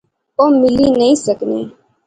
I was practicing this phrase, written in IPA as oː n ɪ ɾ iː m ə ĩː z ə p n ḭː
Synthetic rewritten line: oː m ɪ l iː n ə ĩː s ə k n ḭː